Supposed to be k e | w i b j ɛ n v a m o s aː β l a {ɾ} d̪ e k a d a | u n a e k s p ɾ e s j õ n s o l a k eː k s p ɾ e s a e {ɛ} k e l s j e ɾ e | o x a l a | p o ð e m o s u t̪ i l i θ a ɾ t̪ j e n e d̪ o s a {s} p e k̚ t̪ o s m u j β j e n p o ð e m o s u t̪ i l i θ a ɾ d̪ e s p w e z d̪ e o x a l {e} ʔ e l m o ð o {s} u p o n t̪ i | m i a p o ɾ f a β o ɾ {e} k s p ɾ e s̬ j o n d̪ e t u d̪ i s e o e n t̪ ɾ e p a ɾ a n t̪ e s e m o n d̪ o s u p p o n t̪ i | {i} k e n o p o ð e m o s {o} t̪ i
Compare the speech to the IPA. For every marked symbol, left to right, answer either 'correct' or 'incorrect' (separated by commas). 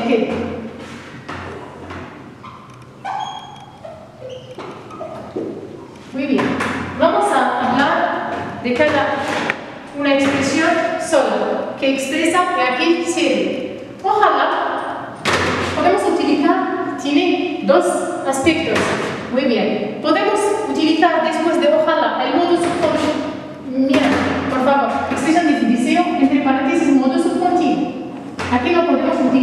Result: correct, incorrect, correct, incorrect, correct, correct, incorrect, incorrect